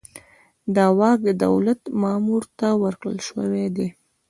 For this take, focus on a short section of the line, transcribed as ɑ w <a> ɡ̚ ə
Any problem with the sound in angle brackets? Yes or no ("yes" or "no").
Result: yes